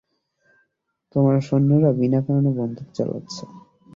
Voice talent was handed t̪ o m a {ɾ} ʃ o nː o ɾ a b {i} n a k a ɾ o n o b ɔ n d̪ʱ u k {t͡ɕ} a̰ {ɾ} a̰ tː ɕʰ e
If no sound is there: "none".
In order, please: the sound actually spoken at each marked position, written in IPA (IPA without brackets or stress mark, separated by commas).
ɾ, i, t͡ɕ, l